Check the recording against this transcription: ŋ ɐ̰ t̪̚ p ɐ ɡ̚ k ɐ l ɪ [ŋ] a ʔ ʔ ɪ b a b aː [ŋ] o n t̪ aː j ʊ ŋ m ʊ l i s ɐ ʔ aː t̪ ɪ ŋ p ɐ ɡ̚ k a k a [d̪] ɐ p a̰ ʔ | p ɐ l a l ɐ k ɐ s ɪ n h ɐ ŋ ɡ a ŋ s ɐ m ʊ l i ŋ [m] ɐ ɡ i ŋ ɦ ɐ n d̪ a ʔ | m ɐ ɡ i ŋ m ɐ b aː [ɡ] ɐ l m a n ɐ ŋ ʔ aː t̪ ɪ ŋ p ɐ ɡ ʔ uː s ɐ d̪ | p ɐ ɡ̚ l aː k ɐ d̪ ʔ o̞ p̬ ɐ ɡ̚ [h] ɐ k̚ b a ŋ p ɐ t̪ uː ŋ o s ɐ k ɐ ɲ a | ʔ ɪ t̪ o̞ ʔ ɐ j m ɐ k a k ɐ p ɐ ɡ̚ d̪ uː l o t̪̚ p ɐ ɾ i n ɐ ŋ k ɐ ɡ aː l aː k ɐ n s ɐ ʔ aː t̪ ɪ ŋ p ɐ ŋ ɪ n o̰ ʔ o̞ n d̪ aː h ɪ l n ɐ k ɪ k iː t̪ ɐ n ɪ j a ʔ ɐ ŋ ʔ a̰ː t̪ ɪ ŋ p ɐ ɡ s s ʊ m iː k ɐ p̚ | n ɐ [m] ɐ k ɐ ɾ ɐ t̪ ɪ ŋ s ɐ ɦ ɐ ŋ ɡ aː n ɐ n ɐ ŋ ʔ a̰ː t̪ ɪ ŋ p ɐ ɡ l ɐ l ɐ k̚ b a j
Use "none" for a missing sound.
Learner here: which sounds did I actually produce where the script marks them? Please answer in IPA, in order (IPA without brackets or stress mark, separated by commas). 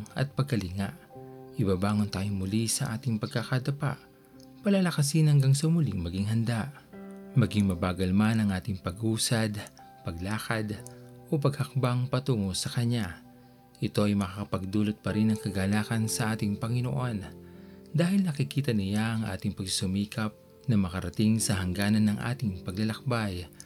ŋ, ŋ, d̪, m, ɡ, h, m